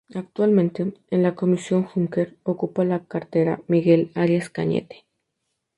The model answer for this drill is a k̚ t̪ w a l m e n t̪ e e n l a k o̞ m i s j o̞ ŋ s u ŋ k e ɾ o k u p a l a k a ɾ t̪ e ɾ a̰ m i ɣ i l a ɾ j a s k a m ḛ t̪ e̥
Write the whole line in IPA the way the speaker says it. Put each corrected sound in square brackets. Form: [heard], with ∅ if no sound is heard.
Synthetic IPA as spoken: a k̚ t̪ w a l m [ẽ] n t̪ e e n l a k o̞ m i s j o̞ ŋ [x] u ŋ k e ɾ o k u p a l a k a ɾ t̪ e ɾ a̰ m i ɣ [e] l a ɾ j a s k a [ɲ] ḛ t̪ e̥